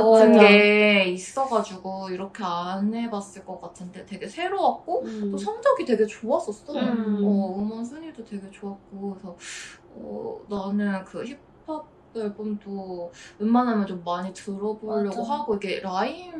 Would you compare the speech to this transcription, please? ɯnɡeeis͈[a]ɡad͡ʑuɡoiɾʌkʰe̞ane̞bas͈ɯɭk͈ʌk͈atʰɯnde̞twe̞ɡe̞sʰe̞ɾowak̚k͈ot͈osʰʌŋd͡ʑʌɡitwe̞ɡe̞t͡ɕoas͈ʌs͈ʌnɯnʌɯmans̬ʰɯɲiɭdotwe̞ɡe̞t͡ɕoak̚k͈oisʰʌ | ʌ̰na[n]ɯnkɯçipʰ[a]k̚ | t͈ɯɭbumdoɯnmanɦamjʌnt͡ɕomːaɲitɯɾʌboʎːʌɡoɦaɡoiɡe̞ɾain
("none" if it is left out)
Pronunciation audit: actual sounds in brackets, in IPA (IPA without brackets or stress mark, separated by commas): ʌ, n, a